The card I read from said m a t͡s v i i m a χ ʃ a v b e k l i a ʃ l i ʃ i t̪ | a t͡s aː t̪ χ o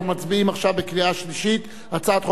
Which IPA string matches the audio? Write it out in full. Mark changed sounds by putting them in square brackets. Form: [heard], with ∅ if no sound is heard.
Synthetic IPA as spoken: m a t͡s [b] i i m a χ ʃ a v b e k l i a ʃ l i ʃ i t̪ | a t͡s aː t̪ χ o